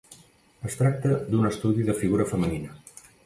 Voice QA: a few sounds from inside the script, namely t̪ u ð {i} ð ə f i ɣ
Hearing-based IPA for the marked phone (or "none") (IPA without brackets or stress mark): i